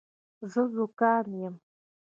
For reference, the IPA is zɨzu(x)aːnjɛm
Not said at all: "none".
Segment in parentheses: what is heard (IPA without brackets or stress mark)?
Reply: k